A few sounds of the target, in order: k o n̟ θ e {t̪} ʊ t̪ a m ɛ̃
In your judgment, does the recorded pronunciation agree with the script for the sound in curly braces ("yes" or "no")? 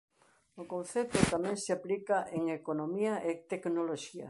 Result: yes